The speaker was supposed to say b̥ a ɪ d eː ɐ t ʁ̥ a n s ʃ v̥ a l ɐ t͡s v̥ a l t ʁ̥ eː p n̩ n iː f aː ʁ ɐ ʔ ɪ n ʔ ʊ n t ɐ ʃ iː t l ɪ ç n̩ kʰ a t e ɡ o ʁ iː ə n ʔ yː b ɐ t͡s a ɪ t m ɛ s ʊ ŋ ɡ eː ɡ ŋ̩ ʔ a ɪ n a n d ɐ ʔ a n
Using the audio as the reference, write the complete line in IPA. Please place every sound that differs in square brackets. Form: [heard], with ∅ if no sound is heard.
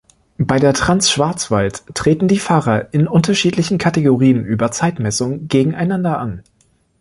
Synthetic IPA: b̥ a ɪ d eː ɐ t ʁ̥ a n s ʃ v̥ a [∅] ɐ t͡s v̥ a l t ʁ̥ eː [t] n̩ [d] iː f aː ʁ ɐ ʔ ɪ n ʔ ʊ n t ɐ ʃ iː t l ɪ ç n̩ kʰ a t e ɡ o ʁ iː ə n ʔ yː b ɐ t͡s a ɪ t m ɛ s ʊ ŋ ɡ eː ɡ ŋ̩ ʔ a ɪ n a n d ɐ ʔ a n